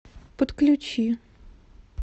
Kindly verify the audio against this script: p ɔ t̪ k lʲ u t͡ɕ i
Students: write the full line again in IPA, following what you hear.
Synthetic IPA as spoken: p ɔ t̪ k lʲ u t͡ɕ i